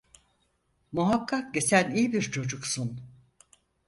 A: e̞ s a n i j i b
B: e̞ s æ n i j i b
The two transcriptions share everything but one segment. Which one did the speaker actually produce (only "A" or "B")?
B